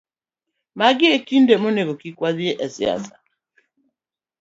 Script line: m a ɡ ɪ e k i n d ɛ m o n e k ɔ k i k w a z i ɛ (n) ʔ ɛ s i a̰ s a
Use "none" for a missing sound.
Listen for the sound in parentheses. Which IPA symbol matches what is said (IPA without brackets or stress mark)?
none